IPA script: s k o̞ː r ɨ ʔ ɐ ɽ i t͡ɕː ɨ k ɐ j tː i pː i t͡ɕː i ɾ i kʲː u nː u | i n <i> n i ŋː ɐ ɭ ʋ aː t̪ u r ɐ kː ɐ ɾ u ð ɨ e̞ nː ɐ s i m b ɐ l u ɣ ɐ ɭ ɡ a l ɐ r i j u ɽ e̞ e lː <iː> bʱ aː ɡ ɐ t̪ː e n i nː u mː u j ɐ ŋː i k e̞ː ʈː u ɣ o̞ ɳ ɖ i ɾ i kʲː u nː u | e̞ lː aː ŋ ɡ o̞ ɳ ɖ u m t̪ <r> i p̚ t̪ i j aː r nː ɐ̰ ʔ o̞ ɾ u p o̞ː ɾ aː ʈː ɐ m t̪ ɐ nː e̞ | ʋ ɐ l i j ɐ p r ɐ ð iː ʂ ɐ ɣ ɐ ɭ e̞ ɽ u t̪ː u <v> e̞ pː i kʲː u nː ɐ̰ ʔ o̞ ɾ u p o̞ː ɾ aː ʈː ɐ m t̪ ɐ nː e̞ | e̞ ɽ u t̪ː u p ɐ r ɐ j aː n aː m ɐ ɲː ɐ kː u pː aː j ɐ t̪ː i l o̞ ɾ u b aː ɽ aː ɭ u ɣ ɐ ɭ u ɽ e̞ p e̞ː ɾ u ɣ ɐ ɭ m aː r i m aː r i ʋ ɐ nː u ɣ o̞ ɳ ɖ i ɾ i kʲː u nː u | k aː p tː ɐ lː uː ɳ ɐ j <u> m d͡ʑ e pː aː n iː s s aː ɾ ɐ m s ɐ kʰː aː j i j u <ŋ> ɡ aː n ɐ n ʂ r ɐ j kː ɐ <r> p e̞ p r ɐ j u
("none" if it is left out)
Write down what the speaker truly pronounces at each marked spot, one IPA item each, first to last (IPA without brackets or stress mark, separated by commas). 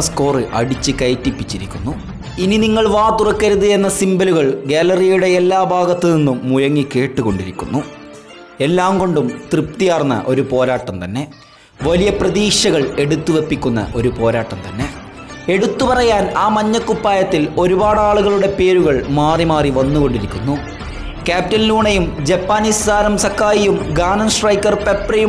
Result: i, aː, r, ʋ, u, m, r